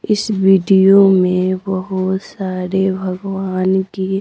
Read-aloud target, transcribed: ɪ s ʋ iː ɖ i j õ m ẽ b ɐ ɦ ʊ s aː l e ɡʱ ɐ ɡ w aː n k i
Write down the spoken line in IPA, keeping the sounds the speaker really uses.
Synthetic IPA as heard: ɪ s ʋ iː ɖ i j o m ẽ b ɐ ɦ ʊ s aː ɾ e bʱ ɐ ɡ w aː n k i